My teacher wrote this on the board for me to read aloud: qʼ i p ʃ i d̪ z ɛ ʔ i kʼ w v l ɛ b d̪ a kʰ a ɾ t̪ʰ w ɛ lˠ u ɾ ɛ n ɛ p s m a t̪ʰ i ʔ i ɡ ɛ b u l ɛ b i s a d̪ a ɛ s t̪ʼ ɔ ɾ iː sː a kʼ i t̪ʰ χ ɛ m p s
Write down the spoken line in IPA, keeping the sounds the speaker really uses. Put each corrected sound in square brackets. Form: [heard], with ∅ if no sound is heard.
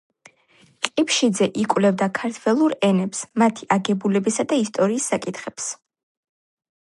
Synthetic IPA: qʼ i p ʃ i d̪ z ɛ ʔ i kʼ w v l ɛ [v] d̪ a kʰ a ɾ t̪ʰ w ɛ lˠ u ɾ ɛ n ɛ p s m a t̪ʰ i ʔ [a] ɡ ɛ b u l ɛ b i s a d̪ a [i] s t̪ʼ ɔ ɾ iː sː a kʼ i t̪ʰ χ ɛ [∅] p s